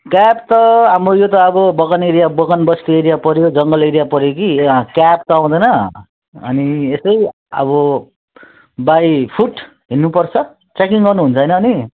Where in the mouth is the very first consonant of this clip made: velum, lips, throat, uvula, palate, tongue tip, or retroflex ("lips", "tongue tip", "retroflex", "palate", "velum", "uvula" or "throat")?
velum